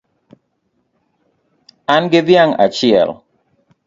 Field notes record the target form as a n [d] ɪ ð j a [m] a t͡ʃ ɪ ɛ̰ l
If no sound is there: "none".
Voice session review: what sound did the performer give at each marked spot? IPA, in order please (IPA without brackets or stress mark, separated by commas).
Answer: ɡ, ŋ